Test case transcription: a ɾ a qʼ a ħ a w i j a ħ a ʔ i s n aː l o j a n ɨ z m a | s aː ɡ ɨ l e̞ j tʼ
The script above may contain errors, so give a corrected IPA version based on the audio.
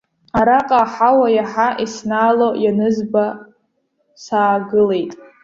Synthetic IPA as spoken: a ɾ a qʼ a ħ a w a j a ħ a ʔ i s n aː l o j a n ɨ z b a | s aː ɡ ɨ l e̞ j tʼ

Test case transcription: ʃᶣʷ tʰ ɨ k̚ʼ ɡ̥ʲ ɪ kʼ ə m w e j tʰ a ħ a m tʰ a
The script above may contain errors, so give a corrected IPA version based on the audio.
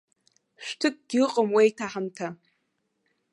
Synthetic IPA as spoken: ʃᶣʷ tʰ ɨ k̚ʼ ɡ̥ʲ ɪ qʼ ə m w e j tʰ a ħ a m tʰ a

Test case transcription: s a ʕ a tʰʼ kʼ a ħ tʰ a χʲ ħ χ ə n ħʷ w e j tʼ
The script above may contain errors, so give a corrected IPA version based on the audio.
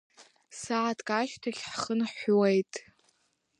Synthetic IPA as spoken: s a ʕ a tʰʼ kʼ a ʃ tʰ a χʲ ħ χ ə n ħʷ w e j tʼ

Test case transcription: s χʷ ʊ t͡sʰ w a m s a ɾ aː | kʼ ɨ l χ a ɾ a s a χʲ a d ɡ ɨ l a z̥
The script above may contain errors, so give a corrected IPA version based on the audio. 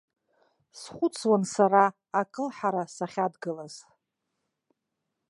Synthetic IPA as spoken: s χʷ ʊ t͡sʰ w a n s a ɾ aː | kʼ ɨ l ħ a ɾ a s a χʲ a d ɡ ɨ l a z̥

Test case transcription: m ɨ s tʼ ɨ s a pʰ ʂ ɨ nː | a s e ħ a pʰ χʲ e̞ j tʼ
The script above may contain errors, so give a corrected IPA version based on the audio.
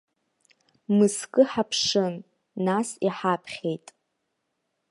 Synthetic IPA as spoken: m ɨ s kʼ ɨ ħ a pʰ ʂ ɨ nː | a s i ħ a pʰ χʲ e̞ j tʼ

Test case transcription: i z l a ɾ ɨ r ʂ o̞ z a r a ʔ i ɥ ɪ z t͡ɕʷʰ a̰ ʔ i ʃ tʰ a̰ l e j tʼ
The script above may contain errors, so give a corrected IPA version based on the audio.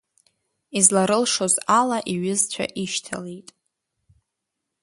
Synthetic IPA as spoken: i z l a ɾ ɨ l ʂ o̞ z a l a ʔ i ɥ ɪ z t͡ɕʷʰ a̰ ʔ i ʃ tʰ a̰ l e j tʼ

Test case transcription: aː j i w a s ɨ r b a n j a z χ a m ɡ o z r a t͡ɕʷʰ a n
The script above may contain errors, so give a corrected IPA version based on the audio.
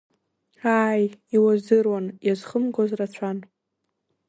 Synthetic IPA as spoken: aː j i w a z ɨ r w a n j a z χ ə m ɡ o z r a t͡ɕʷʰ a n

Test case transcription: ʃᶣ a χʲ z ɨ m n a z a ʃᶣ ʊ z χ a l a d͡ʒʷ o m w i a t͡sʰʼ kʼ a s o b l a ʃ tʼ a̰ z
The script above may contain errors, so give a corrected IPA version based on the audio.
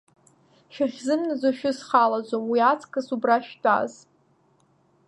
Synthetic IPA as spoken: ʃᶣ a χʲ z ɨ m n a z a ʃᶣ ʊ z χ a l a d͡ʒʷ o m w i a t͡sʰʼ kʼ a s u b r a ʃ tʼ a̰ z

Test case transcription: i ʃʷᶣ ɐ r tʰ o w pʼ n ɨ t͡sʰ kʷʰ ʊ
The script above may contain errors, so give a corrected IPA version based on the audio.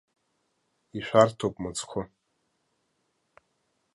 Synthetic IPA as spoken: i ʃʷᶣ a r tʰ o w pʼ m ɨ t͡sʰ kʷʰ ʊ

